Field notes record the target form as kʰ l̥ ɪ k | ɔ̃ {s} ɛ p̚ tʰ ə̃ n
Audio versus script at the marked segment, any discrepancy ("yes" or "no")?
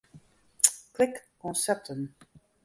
no